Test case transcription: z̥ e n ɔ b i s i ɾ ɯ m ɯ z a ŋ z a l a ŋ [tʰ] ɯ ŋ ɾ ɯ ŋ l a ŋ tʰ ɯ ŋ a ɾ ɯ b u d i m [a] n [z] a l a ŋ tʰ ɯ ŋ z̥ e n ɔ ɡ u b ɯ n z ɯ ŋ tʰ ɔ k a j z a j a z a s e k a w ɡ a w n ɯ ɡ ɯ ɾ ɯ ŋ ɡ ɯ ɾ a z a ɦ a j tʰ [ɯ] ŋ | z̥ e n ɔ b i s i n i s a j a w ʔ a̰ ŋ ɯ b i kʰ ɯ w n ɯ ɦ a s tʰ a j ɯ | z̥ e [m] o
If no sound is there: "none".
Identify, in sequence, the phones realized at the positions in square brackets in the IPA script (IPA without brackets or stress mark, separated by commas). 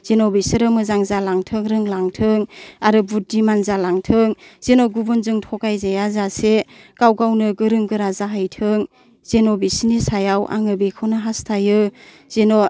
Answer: tʰ, a, z, ɯ, n